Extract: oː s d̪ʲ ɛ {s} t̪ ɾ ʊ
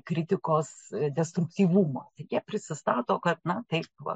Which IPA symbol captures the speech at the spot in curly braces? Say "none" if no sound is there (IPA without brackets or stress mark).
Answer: s